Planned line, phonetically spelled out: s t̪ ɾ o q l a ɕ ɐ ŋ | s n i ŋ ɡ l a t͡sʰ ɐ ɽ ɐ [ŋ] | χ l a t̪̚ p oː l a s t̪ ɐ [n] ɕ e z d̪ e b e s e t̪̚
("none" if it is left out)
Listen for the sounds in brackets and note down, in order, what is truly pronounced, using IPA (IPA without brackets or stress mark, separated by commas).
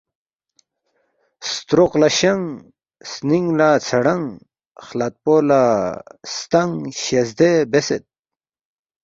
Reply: ŋ, ŋ